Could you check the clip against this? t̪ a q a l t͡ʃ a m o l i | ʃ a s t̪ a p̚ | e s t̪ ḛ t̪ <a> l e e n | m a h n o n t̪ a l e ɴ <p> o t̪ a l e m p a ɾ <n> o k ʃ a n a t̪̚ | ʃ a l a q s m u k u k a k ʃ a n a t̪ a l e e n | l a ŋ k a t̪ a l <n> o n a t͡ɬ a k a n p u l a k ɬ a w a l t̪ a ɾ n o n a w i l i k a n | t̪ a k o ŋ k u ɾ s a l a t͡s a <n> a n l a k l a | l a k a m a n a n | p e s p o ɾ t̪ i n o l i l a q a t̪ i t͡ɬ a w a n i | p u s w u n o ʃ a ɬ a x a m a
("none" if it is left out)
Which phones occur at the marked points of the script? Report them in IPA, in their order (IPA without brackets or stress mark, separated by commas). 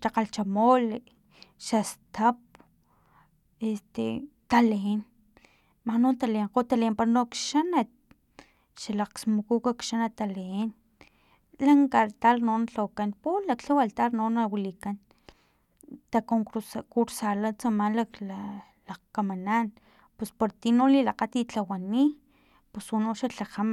a, q, n, n, m